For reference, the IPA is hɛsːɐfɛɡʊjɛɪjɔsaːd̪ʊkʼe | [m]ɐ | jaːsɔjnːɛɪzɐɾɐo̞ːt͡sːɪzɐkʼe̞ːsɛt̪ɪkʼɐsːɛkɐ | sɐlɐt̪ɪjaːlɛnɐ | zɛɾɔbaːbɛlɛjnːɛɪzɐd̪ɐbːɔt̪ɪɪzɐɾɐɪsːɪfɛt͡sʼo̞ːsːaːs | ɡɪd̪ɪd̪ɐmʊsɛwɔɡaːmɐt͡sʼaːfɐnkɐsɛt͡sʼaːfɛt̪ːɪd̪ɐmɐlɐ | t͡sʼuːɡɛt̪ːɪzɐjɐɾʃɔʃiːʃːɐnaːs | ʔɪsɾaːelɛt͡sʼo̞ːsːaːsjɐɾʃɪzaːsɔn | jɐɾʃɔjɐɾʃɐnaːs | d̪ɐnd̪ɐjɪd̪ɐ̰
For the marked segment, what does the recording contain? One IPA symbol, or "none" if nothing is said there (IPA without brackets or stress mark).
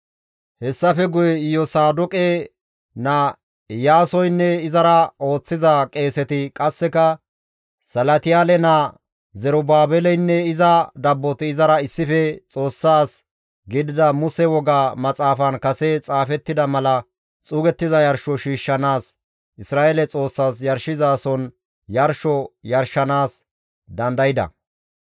n